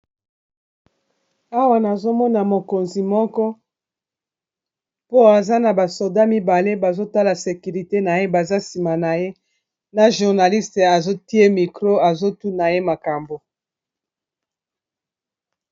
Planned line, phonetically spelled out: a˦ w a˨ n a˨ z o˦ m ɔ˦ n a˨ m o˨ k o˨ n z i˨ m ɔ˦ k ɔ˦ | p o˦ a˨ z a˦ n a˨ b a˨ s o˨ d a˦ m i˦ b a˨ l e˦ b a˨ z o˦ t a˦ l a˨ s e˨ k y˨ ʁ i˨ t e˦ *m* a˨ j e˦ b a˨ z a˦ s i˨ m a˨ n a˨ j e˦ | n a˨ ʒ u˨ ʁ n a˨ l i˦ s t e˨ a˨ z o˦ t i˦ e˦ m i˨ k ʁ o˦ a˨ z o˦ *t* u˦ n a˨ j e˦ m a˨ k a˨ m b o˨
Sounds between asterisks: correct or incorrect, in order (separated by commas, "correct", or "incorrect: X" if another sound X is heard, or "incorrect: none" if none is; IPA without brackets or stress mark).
incorrect: n, correct